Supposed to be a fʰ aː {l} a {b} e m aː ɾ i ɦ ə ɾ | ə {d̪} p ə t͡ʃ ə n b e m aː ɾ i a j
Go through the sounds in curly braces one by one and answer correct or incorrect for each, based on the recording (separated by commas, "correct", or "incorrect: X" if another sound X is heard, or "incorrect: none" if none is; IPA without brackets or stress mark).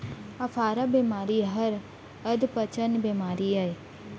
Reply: incorrect: ɾ, correct, correct